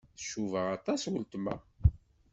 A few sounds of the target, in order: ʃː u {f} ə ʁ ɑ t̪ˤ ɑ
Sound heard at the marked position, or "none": v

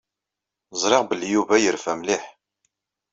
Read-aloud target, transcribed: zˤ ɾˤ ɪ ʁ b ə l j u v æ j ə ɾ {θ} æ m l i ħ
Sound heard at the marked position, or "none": f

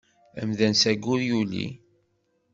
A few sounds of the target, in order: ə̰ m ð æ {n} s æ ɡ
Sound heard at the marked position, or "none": n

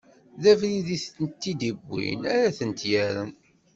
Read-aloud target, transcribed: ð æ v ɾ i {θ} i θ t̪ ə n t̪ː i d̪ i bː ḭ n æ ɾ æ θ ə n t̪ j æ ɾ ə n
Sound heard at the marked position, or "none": ð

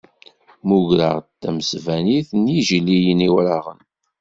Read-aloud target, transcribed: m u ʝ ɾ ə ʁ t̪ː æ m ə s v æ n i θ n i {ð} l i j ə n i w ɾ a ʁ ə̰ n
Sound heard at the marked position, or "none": ʒ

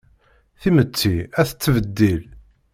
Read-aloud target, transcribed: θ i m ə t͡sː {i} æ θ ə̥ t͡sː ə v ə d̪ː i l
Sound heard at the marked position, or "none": i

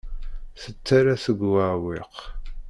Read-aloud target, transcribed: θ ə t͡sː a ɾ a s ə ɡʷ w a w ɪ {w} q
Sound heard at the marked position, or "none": none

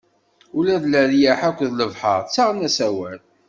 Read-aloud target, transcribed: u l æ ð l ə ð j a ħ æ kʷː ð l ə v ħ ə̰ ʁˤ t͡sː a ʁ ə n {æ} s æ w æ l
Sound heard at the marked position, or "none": æ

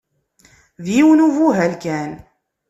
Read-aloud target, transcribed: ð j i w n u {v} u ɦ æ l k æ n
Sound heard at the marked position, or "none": v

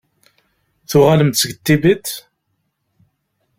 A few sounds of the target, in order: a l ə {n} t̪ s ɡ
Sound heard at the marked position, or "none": m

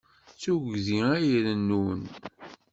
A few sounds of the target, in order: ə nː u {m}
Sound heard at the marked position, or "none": n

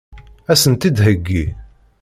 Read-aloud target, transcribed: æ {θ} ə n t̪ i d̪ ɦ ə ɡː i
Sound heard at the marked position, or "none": s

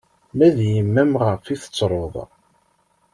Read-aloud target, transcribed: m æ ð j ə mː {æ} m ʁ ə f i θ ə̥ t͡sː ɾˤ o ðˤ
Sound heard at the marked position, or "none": æ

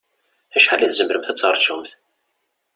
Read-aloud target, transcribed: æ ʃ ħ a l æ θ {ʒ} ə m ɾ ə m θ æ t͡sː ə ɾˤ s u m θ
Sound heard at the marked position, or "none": z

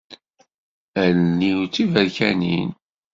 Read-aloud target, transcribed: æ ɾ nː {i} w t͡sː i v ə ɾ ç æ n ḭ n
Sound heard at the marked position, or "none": i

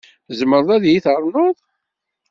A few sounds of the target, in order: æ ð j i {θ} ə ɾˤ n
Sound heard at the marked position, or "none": θ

